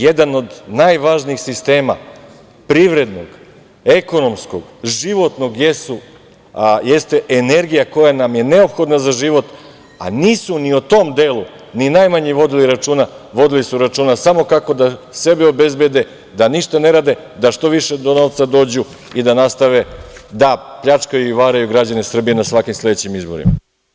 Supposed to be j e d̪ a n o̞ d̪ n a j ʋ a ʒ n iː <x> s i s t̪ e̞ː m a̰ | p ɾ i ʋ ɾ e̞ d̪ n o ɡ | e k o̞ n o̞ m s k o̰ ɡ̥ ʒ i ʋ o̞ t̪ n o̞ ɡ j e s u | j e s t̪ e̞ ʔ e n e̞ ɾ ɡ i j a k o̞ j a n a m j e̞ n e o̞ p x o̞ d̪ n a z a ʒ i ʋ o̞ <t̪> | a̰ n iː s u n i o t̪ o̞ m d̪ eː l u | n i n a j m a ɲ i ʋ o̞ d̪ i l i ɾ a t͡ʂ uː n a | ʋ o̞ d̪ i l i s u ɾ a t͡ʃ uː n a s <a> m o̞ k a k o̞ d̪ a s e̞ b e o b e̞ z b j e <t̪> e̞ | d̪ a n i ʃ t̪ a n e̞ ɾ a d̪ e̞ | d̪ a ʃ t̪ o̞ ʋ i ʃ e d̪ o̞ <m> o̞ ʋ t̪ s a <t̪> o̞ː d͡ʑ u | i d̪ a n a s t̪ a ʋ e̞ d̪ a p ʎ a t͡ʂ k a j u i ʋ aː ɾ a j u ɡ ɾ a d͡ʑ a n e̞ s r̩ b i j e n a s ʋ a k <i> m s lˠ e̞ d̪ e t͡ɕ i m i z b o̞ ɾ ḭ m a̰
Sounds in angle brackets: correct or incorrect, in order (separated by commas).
correct, correct, correct, incorrect, incorrect, incorrect, correct